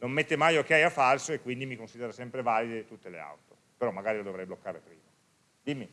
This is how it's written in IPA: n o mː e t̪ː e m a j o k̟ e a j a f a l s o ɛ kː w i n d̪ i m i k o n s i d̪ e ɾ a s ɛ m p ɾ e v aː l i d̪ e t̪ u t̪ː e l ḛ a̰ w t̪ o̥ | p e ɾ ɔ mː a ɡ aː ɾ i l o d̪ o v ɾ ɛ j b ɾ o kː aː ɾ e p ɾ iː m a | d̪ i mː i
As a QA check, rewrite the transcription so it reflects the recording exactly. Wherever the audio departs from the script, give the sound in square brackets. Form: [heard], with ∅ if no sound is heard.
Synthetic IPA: n o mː e t̪ː e m a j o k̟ e a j a f a l s o [e] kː w i n d̪ i m i k o n s i d̪ e ɾ a s ɛ m p ɾ e v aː l i d̪ e t̪ u t̪ː e l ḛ a̰ w t̪ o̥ | p e ɾ ɔ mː a ɡ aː ɾ i l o d̪ o v ɾ ɛ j b [l] o kː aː ɾ e p ɾ iː m a | d̪ i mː i